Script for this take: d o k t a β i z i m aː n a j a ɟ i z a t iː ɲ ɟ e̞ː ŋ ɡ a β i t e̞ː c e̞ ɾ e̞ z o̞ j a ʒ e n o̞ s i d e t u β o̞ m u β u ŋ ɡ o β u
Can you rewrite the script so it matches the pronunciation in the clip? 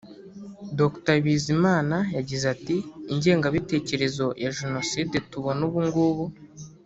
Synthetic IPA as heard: d o k t a β i z i m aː n a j a ɟ i z a t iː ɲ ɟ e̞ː ŋ ɡ a β i t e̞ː c e̞ ɾ e̞ z o̞ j a ʒ e n o̞ s i d e t u β o̞ n u β u ŋ ɡ u β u